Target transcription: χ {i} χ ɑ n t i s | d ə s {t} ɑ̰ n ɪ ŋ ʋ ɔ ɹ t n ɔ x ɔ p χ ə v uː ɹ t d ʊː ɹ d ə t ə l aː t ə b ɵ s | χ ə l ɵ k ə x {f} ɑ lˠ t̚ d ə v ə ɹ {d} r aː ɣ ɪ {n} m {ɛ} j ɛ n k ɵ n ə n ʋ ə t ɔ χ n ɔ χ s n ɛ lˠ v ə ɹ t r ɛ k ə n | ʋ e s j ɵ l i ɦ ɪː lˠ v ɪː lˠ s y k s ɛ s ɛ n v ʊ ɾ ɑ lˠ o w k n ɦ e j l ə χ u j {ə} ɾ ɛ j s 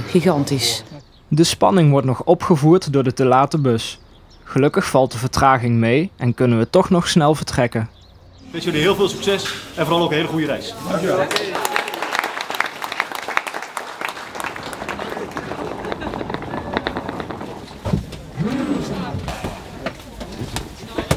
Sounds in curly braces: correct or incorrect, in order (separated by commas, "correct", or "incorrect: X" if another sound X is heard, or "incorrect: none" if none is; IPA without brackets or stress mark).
correct, incorrect: p, correct, incorrect: t, incorrect: ŋ, incorrect: e, correct